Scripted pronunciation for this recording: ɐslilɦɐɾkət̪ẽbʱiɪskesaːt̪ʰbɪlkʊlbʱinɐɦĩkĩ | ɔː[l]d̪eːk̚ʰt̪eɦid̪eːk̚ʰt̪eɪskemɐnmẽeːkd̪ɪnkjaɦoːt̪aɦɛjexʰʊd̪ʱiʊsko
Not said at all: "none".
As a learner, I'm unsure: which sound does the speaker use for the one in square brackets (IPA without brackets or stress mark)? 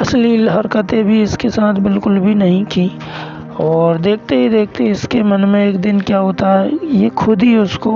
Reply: ɾ